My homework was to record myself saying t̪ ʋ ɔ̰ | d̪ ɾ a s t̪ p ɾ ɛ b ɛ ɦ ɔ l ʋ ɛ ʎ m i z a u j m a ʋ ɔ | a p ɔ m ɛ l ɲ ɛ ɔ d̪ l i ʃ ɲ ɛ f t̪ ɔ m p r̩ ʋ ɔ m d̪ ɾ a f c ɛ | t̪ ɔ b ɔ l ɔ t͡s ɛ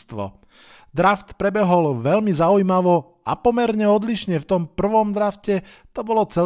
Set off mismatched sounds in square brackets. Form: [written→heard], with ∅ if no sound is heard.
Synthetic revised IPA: t̪ ʋ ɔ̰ | d̪ ɾ a [s→f] t̪ p ɾ ɛ b ɛ ɦ ɔ l ʋ ɛ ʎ m i z a u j m a ʋ ɔ | a p ɔ m ɛ [l→ɾ] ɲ ɛ ɔ d̪ l i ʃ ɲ ɛ f t̪ ɔ m p r̩ ʋ ɔ m d̪ ɾ a f c ɛ | t̪ ɔ b ɔ l ɔ t͡s ɛ